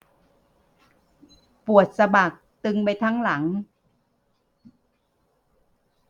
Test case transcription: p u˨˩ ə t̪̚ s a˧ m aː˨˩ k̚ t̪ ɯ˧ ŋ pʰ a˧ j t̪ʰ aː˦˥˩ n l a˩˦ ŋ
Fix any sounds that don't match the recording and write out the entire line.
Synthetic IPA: p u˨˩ ə t̪̚ s a˧ b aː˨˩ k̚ t̪ ɯ˧ ŋ p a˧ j t̪ʰ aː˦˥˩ ŋ l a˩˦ ŋ